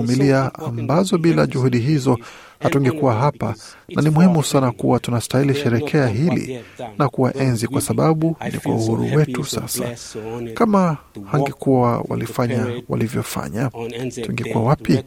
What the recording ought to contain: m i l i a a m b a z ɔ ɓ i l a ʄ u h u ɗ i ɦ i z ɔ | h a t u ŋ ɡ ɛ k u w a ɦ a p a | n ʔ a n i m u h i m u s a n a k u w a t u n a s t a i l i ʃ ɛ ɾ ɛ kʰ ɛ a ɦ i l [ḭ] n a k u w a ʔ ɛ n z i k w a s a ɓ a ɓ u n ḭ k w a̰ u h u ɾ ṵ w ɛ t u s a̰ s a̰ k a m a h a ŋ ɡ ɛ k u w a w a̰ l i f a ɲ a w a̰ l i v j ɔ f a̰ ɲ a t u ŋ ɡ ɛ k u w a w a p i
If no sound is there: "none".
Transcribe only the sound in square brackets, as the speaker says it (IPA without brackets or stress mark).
ḭ